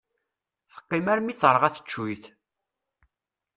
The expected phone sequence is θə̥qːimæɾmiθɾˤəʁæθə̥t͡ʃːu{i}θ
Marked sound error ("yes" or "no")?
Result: yes